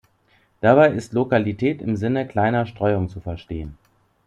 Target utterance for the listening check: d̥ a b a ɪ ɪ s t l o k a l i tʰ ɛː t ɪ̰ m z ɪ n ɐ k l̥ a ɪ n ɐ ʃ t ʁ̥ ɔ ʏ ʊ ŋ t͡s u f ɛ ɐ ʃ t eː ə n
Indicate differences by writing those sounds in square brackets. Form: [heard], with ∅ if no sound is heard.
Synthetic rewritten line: d̥ a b a ɪ ɪ s t l o k a l i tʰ ɛː t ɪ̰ m z ɪ n [ə] k l̥ a ɪ n ɐ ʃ t ʁ̥ ɔ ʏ ʊ ŋ t͡s u f ɛ ɐ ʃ t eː ə n

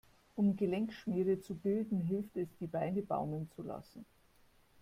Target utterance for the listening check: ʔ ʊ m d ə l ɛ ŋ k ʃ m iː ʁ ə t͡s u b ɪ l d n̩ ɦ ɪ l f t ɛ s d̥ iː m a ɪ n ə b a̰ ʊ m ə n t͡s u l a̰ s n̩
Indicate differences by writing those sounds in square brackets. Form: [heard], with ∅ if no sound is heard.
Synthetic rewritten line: ʔ ʊ m [ɡ] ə l ɛ ŋ k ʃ m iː ʁ ə t͡s u b ɪ l d n̩ ɦ ɪ l f t ɛ s d̥ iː [b] a ɪ n ə b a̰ ʊ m ə n t͡s u l a̰ s n̩

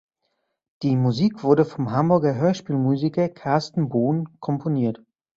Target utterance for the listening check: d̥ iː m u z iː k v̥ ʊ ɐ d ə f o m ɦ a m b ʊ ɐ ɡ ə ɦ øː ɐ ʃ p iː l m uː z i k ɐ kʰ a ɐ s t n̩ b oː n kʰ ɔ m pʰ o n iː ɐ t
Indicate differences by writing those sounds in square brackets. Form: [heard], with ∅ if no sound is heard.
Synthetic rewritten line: d̥ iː m u z iː k v̥ ʊ ɐ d ə f [ɔ] m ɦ a m b ʊ ɐ ɡ [ɐ] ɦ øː ɐ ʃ p iː l m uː z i k ɐ kʰ a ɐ s t n̩ b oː n kʰ ɔ m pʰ o n iː ɐ t

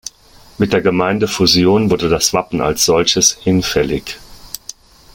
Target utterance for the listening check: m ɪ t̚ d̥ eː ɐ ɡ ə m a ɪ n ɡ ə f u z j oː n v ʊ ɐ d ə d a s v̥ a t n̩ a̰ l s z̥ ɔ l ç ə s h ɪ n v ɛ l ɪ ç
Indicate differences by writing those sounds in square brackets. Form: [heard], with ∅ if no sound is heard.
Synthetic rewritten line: m ɪ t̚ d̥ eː ɐ ɡ ə m a ɪ n [d] ə f u z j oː n v ʊ ɐ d ə d a s v̥ a [p] n̩ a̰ l s z̥ ɔ l ç ə s h ɪ n [f] ɛ l ɪ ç

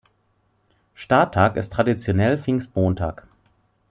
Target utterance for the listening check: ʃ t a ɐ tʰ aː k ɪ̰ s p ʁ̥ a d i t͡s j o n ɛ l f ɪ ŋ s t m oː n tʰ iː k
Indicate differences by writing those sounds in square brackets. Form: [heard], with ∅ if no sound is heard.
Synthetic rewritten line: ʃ t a ɐ tʰ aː k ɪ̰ s [t] ʁ̥ a d i t͡s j o n ɛ l f ɪ ŋ s t m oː n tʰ [aː] k

